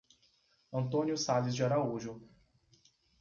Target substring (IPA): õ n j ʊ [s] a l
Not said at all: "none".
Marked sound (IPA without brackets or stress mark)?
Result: s